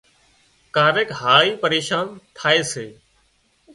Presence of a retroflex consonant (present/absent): absent